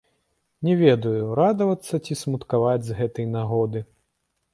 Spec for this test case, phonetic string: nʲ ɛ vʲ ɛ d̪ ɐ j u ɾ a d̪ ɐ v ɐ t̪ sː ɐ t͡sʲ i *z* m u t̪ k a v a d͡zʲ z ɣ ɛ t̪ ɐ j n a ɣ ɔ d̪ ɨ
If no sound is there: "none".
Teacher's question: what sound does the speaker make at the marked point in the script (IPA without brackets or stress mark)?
s